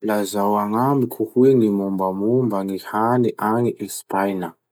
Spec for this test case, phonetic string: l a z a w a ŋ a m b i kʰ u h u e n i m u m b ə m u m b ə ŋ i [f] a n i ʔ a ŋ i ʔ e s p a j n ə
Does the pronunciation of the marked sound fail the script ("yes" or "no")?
yes